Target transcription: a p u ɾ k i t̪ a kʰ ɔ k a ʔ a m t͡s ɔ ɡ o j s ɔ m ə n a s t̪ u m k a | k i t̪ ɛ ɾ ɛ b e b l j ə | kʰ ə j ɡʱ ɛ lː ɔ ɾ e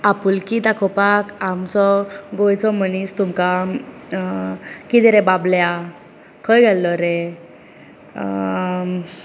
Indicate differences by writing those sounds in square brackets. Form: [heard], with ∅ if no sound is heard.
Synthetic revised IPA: a p u [l] k i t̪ a kʰ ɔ [p] a [k] a m t͡s ɔ ɡ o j [t͡s] ɔ m ə n [i] s t̪ u m k a | k i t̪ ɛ ɾ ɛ b [a] b l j [a] | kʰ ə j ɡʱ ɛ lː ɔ ɾ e